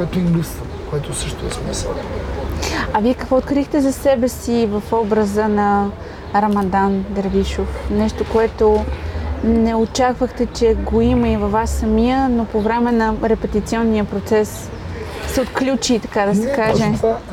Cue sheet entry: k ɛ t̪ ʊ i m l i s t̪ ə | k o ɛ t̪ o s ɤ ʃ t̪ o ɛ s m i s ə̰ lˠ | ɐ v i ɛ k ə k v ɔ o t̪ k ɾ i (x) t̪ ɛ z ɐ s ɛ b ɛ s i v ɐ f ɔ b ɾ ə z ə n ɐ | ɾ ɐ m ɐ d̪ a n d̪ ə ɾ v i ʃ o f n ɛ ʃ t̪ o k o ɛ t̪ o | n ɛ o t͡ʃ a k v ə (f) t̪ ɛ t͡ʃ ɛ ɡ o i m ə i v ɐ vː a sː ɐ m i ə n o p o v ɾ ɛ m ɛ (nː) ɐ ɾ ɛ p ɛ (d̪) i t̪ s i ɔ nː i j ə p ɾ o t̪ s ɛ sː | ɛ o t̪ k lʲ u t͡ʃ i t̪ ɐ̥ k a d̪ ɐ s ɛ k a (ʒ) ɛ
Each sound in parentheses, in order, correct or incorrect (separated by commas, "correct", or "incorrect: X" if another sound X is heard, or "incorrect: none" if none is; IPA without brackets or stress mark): correct, incorrect: x, incorrect: n, incorrect: t̪, correct